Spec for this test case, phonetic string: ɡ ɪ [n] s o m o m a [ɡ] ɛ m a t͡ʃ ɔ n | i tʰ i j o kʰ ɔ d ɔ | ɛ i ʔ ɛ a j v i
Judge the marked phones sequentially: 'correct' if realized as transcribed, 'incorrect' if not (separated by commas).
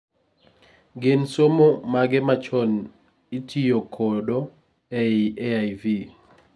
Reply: correct, correct